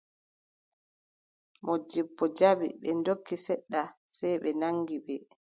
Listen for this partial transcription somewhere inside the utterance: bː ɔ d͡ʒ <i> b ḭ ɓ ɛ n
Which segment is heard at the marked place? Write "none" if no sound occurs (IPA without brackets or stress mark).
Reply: a